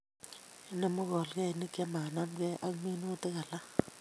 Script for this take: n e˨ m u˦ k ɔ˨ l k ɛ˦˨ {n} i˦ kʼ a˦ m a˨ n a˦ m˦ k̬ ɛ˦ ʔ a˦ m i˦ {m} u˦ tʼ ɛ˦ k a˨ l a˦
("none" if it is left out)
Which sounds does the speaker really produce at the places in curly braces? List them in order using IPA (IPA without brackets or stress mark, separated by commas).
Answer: n, n